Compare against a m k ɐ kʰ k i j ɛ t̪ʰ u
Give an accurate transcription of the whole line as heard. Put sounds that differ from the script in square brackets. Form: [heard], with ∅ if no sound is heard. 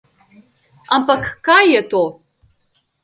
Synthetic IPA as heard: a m [p] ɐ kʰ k [a] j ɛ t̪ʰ [o]